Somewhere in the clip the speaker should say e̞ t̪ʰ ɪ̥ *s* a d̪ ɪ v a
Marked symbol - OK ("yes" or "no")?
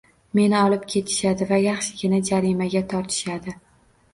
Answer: no